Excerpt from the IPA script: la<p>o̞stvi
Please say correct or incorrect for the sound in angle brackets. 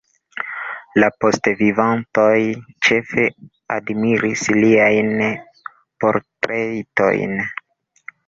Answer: correct